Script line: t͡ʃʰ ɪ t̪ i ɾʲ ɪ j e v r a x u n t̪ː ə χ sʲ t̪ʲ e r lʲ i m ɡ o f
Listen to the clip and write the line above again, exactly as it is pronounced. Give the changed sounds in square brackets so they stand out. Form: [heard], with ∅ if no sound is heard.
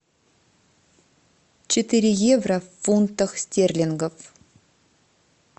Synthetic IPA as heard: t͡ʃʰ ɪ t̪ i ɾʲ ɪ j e v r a [f] u n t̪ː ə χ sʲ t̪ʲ e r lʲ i [ŋ] ɡ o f